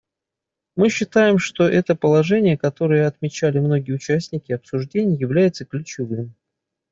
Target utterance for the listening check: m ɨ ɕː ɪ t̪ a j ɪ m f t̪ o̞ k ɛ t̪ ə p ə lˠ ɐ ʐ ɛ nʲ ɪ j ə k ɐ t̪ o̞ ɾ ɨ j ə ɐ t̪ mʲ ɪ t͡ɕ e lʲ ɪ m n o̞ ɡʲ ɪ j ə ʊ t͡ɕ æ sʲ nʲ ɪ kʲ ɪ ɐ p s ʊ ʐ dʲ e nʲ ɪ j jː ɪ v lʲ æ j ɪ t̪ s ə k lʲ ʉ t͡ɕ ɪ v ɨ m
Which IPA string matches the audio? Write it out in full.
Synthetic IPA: m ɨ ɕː ɪ t̪ a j ɪ m ʂ t̪ o̞ ʔ ɛ t̪ ə p ə lˠ ɐ ʐ ɛ nʲ ɪ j ə k ɐ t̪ o̞ ɾ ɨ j ə ɐ t̪ mʲ ɪ t͡ɕ æ lʲ ɪ m n o̞ ɡʲ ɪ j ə ʊ t͡ɕ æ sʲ nʲ ɪ kʲ ɪ ɐ p s ʊ ʐ dʲ e nʲ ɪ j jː ɪ v lʲ æ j ɪ t̪ s ə k lʲ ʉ t͡ɕ ɪ v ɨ m